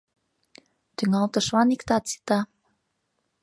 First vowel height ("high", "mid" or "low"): high